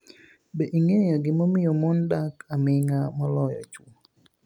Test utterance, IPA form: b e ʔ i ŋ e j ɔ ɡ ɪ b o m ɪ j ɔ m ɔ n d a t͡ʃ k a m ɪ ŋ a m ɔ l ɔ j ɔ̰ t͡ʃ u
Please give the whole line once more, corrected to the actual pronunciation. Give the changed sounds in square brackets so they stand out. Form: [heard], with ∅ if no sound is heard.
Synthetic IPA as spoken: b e ʔ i ŋ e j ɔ ɡ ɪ [m] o m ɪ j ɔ m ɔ n d a [∅] k a m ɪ ŋ a m ɔ l ɔ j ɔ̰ t͡ʃ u